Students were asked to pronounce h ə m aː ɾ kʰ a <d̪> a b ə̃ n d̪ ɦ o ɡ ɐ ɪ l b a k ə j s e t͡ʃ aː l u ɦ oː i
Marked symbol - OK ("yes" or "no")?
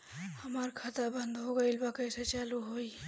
no